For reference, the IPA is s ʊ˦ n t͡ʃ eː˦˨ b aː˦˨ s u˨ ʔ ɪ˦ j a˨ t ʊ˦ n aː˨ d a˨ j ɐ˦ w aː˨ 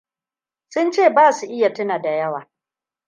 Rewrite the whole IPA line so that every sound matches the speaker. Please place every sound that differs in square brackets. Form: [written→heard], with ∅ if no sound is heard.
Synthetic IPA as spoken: s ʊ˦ n t͡ʃ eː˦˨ b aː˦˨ s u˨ ʔ ɪ˦ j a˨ t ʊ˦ n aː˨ d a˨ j ɐ˦ w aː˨